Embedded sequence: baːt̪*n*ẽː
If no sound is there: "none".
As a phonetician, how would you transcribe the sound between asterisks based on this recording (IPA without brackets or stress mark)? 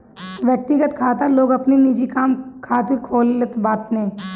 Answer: n